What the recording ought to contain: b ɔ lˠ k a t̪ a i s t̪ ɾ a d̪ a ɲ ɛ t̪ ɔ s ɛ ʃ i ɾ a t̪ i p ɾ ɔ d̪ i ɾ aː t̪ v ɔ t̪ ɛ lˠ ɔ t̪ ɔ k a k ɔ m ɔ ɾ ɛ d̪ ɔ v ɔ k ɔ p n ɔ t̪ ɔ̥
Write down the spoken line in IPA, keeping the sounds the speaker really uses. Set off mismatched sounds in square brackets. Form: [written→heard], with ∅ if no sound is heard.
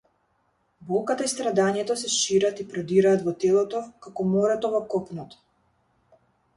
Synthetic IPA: b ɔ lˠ k a t̪ a i s t̪ ɾ a d̪ a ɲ ɛ t̪ ɔ s ɛ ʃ i ɾ a t̪ i p ɾ ɔ d̪ i ɾ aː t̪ v ɔ t̪ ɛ lˠ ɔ t̪ ɔ k a k ɔ m ɔ ɾ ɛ [d̪→t̪] ɔ v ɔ k ɔ p n ɔ t̪ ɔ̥